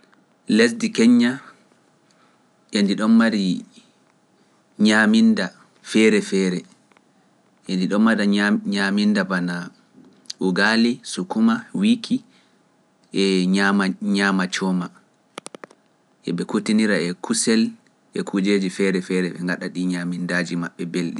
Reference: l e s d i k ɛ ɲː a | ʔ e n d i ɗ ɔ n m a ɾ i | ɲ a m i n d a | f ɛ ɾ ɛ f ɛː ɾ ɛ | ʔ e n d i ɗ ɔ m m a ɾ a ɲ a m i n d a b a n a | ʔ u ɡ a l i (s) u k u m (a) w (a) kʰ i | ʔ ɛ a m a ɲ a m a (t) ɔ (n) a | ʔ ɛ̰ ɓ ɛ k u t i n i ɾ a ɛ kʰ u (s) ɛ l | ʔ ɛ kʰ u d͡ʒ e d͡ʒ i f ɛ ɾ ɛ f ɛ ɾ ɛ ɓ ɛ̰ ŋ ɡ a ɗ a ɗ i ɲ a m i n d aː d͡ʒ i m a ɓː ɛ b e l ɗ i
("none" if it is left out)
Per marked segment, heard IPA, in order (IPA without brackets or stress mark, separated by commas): s, a, i, t͡ʃ, m, s